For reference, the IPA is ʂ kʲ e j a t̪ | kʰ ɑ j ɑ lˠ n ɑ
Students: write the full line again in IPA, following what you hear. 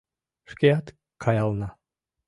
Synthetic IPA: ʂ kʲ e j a t̪ | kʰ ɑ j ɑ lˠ n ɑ